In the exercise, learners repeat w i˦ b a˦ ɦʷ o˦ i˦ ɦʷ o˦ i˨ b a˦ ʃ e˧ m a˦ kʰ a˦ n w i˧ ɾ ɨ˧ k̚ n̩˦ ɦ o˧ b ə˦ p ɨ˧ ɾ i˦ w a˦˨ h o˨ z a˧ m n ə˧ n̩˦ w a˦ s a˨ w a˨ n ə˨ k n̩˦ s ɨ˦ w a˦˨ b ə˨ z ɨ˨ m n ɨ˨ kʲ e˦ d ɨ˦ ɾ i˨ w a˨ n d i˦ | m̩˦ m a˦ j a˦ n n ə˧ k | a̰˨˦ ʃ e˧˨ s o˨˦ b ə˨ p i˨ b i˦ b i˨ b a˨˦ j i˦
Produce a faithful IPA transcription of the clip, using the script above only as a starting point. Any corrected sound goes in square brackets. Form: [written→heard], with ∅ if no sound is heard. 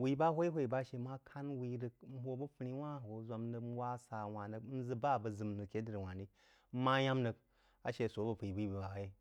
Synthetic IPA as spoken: w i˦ b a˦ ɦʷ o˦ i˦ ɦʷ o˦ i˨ b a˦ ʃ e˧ m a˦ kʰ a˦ n w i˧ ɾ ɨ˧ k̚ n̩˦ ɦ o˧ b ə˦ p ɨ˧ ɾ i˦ w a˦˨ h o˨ z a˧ m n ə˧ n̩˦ w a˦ s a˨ w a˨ n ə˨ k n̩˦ [s→z] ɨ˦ [w→b] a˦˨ b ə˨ z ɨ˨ m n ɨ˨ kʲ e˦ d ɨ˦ ɾ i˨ w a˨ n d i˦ | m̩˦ m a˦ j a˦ [n→m] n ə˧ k | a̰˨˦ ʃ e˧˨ s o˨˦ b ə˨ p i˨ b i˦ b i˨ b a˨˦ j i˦

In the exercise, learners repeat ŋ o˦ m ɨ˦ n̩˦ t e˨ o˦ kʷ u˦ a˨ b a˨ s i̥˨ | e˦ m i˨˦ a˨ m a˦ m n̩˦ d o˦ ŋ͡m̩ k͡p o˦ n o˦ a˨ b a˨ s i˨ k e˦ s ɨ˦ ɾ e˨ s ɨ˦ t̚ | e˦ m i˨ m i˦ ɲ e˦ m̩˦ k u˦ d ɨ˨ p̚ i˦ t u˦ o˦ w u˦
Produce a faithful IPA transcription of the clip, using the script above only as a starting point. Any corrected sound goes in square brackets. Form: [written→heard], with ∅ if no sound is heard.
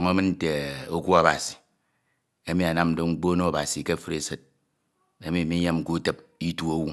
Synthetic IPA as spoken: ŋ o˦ m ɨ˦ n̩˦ t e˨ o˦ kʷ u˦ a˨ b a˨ s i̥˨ | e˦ m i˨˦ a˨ [m→n] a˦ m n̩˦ d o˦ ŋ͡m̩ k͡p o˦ n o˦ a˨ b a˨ s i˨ k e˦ [s→f] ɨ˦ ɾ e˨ s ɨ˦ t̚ | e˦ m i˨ m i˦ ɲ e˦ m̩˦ k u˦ [d→t] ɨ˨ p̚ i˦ t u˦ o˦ w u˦

